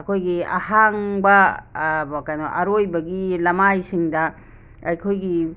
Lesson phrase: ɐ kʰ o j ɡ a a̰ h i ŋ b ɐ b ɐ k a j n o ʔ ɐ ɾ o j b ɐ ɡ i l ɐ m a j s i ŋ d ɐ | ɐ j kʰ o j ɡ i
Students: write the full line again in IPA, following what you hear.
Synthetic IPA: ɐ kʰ o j ɡ i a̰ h a ŋ b ɐ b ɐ k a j n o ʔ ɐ ɾ o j b ɐ ɡ i l ɐ m a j s i ŋ d ɐ | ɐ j kʰ o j ɡ i